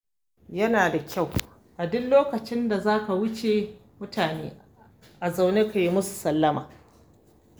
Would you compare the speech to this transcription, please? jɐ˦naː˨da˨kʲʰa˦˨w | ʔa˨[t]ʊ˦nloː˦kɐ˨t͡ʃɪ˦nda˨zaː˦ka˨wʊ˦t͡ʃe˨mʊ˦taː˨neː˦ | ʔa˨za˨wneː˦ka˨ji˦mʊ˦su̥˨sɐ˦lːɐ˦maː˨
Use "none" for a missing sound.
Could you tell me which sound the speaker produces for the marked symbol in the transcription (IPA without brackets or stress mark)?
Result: d